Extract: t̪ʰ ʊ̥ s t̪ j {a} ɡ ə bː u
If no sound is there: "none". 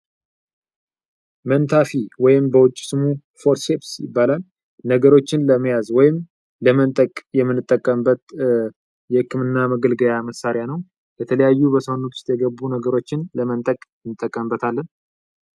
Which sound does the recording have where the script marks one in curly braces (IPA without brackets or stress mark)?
ɛ